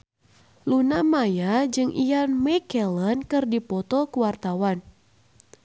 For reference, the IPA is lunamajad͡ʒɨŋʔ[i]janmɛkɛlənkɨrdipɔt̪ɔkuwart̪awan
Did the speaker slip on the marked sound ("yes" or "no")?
no